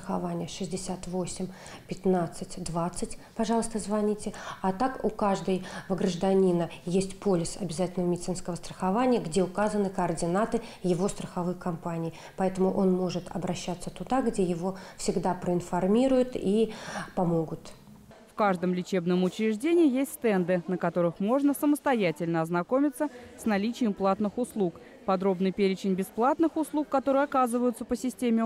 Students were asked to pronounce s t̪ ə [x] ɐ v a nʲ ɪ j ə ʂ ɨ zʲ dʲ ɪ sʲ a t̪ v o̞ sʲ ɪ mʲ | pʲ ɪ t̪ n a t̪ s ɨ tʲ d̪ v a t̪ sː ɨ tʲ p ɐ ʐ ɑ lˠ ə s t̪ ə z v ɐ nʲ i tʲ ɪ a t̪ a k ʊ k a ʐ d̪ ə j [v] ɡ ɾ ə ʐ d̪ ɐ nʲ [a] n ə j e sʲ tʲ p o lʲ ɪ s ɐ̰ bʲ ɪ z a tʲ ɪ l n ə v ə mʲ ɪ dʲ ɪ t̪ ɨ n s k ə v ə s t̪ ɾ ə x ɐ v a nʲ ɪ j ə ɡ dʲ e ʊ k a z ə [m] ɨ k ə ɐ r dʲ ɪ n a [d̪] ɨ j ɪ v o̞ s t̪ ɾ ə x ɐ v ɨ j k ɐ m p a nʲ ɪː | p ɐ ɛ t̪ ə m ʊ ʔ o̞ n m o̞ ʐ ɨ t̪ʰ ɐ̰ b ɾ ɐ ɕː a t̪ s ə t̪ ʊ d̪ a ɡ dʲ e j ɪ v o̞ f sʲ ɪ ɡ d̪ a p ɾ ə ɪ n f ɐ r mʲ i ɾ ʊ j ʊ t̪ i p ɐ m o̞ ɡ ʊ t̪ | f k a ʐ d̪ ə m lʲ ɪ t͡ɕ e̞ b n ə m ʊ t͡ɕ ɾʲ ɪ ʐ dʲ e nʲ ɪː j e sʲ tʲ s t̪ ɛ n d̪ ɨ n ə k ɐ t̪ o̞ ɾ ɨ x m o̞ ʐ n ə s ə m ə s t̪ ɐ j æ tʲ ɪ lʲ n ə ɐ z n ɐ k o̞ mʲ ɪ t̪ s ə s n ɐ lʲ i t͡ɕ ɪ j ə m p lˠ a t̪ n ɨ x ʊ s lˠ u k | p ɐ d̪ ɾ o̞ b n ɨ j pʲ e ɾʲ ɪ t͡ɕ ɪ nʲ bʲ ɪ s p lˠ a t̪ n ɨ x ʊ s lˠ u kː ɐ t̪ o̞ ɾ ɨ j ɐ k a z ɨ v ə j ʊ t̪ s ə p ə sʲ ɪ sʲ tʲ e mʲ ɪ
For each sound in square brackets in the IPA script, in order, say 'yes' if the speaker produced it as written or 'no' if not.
yes, yes, no, no, no

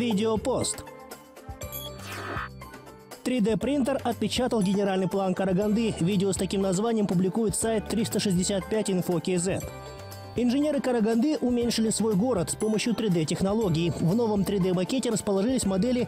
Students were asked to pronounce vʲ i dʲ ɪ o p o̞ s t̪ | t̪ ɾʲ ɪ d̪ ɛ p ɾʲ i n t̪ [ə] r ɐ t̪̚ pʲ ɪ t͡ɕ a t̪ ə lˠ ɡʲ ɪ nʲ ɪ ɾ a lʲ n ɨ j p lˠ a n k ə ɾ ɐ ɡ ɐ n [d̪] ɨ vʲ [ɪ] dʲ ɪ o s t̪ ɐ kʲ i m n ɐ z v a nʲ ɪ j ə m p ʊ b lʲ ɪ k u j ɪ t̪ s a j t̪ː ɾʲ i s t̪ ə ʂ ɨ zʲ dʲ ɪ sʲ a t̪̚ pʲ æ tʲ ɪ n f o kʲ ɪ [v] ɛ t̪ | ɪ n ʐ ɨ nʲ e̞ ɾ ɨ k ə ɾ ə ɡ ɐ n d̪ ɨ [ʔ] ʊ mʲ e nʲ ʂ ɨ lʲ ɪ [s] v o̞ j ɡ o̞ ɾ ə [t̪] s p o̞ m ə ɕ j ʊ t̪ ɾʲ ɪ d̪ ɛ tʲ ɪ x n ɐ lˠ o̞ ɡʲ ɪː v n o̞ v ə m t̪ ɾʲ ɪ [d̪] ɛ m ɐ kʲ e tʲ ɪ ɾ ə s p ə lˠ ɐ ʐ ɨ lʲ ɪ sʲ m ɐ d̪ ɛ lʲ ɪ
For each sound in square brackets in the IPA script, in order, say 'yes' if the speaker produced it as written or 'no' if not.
yes, yes, no, no, yes, yes, yes, yes

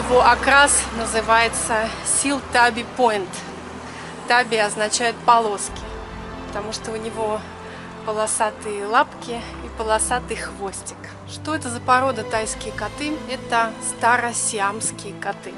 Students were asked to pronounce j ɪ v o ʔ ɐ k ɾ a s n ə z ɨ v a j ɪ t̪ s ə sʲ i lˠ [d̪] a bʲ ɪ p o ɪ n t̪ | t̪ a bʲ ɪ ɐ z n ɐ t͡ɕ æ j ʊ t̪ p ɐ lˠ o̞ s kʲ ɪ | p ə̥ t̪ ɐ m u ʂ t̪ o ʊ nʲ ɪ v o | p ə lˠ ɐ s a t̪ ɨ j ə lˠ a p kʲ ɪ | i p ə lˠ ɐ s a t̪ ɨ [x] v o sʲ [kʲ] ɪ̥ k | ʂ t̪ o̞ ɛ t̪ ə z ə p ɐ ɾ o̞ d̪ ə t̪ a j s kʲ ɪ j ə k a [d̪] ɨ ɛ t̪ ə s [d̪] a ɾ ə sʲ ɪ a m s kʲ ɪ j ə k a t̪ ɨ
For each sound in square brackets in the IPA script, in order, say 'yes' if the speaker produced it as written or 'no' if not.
no, yes, no, no, no

